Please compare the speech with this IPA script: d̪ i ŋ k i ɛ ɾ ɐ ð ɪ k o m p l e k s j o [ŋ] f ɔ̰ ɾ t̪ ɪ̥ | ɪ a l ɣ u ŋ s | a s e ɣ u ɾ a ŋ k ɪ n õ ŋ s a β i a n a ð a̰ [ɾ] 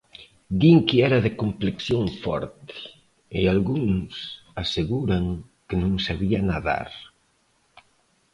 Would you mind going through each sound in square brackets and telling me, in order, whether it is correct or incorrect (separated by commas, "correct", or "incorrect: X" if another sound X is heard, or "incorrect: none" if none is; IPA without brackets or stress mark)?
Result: correct, correct